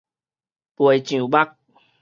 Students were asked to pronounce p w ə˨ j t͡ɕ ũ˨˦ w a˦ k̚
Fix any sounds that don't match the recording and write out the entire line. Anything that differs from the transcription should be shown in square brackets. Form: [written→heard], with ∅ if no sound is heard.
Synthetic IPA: p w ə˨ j t͡ɕ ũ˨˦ [w→b] a˦ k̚